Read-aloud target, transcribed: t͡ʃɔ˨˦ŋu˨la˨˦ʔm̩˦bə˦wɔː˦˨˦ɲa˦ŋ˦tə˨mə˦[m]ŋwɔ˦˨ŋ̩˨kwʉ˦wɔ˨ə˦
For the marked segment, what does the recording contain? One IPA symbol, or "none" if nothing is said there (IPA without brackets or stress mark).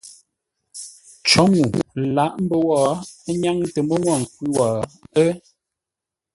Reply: none